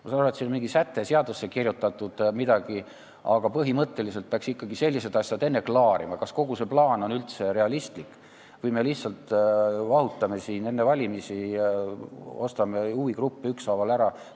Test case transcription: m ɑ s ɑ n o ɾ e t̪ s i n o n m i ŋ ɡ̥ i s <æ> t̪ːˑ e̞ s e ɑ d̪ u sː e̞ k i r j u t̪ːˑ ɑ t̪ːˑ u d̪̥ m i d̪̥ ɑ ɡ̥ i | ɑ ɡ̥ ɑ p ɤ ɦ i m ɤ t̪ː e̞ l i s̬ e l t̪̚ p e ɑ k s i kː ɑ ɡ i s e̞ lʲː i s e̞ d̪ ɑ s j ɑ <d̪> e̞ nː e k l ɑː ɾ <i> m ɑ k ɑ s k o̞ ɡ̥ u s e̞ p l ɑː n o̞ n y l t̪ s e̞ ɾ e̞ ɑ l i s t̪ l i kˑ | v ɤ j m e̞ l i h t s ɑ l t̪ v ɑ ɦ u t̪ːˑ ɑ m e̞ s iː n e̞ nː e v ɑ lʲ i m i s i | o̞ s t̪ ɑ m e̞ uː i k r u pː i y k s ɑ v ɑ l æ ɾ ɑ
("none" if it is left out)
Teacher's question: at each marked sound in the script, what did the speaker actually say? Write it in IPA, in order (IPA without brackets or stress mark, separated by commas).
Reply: æ, d̪, i